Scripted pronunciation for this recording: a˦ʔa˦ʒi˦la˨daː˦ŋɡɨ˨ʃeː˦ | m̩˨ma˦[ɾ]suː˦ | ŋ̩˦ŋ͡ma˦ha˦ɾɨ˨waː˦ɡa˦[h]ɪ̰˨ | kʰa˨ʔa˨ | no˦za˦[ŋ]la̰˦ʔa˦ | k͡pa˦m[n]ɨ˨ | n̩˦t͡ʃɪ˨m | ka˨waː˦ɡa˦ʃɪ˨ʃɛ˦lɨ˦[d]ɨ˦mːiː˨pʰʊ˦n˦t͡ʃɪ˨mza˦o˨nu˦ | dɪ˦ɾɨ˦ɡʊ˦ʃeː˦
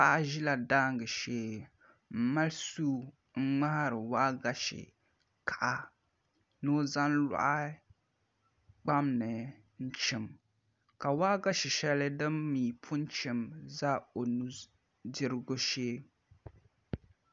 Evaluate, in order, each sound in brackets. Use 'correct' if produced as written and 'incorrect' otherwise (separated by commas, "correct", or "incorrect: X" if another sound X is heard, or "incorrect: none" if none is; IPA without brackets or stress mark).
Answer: incorrect: l, incorrect: ʃ, incorrect: n, correct, correct